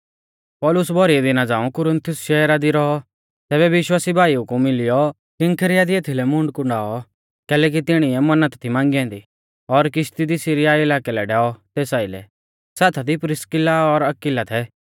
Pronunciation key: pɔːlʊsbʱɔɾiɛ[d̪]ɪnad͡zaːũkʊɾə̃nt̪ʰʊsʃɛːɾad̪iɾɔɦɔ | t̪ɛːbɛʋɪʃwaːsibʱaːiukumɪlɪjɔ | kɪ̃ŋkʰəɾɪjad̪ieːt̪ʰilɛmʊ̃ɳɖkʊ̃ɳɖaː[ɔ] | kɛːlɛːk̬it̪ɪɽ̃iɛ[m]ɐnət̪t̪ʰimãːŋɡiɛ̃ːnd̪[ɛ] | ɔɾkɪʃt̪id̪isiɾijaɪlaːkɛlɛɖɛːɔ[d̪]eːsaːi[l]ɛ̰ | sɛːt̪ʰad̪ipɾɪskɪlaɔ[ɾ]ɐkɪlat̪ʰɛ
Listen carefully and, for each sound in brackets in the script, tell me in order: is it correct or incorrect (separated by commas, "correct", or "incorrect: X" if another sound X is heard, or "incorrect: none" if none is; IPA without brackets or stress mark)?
correct, correct, correct, incorrect: i, incorrect: t̪, correct, correct